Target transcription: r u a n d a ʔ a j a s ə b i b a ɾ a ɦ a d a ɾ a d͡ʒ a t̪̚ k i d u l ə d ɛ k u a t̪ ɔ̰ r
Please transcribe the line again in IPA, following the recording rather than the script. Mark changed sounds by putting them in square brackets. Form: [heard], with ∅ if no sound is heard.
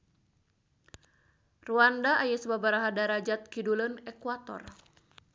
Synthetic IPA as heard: r u a n d a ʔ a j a s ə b [a] b a ɾ a ɦ a d a ɾ a d͡ʒ a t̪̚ k i d u l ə [n] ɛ k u a t̪ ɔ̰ r